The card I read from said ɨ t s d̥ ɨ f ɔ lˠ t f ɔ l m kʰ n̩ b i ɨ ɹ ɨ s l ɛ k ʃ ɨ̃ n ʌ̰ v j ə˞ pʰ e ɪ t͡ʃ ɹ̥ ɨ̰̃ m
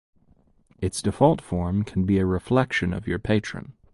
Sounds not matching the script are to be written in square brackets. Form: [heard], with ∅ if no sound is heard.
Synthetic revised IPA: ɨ t s d̥ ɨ f ɔ lˠ t f ɔ [ɹ] m kʰ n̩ b i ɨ ɹ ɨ [f] l ɛ k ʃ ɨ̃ n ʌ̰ v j ə˞ pʰ e ɪ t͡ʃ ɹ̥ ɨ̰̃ [n]